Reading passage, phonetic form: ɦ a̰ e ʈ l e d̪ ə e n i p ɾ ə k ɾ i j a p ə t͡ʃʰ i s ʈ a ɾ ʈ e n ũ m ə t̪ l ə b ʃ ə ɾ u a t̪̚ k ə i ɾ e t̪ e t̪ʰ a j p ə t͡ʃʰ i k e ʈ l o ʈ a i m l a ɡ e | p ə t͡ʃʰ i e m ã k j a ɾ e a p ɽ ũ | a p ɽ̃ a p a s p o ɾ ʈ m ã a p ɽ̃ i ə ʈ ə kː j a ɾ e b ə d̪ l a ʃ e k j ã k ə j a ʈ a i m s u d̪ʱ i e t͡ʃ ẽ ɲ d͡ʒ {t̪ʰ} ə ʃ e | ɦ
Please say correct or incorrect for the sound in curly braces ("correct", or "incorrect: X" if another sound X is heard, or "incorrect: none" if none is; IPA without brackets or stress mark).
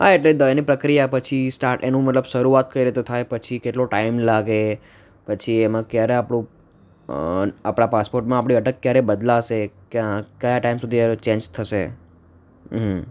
correct